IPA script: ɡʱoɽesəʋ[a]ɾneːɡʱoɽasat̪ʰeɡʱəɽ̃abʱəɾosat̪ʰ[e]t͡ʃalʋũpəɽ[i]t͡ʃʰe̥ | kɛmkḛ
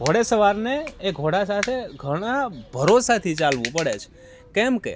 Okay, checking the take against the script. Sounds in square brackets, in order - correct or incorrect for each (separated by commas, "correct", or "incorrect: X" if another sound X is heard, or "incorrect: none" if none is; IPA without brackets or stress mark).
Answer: correct, incorrect: i, incorrect: e